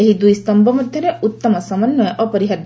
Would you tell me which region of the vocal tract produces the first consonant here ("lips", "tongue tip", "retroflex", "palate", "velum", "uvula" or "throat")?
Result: throat